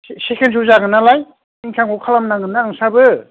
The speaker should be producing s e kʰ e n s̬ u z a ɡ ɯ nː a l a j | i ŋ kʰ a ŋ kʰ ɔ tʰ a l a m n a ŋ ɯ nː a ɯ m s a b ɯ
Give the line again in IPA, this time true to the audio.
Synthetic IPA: s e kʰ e n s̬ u z a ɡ ɯ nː a l a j | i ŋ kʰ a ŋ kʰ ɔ kʰ a l a m n a ŋ ɯ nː a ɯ ŋ s a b ɯ